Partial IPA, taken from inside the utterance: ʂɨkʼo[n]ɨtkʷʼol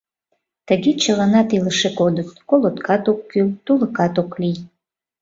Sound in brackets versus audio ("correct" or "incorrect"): incorrect